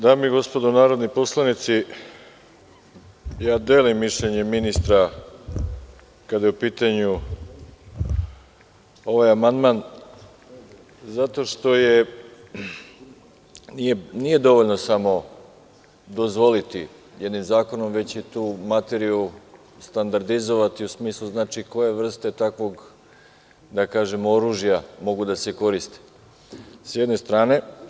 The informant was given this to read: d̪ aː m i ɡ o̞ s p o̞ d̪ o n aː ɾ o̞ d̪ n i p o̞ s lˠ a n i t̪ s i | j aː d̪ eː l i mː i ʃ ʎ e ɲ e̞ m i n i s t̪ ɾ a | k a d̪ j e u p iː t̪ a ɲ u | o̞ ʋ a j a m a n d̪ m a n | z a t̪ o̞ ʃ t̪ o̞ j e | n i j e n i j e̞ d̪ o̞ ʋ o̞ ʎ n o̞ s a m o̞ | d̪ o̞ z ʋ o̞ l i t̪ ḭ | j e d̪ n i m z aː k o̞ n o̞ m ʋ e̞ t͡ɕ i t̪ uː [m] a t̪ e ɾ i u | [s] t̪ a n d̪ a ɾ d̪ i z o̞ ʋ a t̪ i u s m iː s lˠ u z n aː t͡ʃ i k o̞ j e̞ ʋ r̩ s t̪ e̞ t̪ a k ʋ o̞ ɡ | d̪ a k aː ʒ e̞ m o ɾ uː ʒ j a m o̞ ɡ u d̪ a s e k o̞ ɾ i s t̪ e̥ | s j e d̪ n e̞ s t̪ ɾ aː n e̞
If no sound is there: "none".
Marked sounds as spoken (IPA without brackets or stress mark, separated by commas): m, s